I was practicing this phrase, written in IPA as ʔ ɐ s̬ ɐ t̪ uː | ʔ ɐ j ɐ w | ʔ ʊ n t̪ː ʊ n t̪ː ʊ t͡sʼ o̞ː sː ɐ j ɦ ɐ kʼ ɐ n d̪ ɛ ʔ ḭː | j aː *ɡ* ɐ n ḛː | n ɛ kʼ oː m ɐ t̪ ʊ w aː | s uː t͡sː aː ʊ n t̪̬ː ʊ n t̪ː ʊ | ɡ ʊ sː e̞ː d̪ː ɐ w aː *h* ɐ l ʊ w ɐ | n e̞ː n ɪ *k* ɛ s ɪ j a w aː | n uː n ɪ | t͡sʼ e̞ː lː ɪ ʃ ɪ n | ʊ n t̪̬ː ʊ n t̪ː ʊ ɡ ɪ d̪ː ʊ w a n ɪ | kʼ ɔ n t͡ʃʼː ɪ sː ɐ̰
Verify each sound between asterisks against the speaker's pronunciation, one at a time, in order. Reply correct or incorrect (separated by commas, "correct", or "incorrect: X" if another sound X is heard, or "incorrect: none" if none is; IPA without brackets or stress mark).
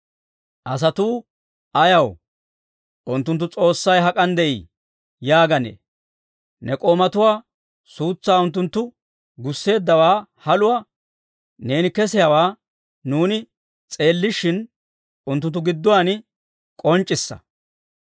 correct, correct, correct